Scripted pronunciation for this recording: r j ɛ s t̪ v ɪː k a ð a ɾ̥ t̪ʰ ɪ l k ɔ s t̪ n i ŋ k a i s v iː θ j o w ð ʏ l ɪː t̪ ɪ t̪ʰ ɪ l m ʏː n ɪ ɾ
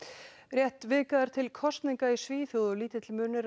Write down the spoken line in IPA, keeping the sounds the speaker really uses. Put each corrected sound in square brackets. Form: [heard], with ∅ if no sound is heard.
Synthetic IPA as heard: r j ɛ [h] t̪ v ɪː k a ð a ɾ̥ t̪ʰ ɪ l [kʰ] ɔ s t̪ n i ŋ k a i s v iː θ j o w ð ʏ l [iː] t̪ ɪ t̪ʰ ɪ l m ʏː n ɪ ɾ